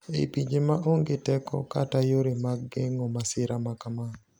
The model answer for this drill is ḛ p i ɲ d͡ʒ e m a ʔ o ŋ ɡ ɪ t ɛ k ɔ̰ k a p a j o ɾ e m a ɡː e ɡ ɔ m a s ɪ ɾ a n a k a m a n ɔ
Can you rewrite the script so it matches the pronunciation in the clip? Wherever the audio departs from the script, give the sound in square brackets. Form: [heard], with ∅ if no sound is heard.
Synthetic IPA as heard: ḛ p i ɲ d͡ʒ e m a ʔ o ŋ ɡ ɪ t ɛ k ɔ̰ k a [t] a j o ɾ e m a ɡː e [ŋ] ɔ m a s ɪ ɾ a [m] a k a m a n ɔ